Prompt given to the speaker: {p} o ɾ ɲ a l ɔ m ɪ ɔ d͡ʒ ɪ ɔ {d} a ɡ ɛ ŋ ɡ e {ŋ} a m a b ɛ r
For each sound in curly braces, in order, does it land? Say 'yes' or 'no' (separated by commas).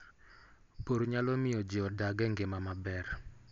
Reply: yes, yes, no